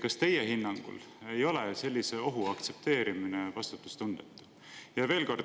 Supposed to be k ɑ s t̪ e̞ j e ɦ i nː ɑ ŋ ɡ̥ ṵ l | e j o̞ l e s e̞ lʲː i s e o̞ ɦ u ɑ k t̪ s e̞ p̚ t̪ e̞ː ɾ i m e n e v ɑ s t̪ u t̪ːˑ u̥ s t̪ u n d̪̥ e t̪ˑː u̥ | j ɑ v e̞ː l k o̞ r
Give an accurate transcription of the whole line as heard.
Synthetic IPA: k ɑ s t̪ e̞ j e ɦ i nː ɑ ŋ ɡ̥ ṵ l | e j o̞ l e s e̞ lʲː i s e o̞ ɦ u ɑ k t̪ s e̞ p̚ t̪ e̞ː ɾ i m i n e v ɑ s t̪ u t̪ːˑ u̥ s t̪ u n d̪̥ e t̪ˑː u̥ | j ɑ v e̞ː l k o̞ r